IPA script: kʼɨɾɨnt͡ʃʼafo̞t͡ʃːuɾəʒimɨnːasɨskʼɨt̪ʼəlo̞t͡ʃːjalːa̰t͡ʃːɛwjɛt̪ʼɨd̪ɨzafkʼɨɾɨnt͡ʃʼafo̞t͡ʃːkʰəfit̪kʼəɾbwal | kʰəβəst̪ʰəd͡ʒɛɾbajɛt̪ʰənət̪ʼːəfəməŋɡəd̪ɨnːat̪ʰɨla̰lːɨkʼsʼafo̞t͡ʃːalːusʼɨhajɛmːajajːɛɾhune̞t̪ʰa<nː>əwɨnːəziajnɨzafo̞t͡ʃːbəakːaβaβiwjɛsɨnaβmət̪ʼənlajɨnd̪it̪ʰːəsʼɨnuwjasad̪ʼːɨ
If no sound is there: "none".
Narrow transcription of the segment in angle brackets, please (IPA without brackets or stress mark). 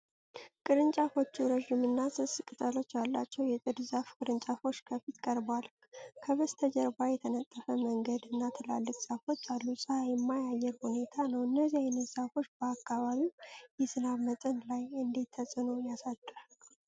n